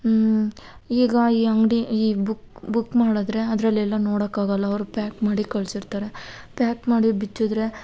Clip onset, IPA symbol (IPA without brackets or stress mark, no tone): iː